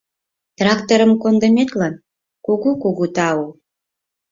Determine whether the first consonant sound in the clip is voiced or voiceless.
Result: voiceless